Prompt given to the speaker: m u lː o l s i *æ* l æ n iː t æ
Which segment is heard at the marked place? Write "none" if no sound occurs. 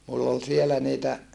e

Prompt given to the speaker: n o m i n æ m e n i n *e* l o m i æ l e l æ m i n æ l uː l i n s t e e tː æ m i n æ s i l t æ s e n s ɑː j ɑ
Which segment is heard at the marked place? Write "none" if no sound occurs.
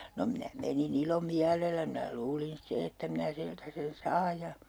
i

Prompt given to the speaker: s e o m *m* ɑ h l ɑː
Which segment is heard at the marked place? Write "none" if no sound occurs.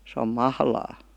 m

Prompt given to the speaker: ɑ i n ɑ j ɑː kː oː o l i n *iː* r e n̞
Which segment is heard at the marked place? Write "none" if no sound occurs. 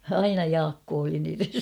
iː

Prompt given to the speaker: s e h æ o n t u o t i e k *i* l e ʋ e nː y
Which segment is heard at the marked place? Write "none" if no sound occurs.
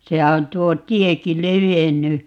i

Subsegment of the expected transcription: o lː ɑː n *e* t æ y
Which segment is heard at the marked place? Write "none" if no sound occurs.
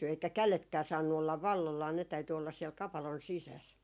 e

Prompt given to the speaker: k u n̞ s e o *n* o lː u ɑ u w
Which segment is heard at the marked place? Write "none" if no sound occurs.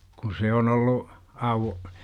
n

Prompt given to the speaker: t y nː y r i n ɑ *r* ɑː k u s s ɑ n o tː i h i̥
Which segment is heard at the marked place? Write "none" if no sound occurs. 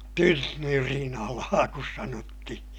l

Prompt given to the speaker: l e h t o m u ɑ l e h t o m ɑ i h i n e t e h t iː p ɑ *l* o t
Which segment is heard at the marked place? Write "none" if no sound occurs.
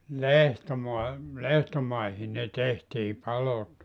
l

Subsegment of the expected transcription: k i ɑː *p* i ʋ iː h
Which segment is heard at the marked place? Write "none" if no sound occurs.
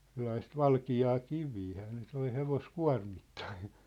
k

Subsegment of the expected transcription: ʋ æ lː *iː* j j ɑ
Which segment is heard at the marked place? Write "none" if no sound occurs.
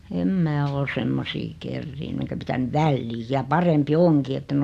iː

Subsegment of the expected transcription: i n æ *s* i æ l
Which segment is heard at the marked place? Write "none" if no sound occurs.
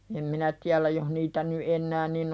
t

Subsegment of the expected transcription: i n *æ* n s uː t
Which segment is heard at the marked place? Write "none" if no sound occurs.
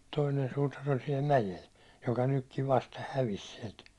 e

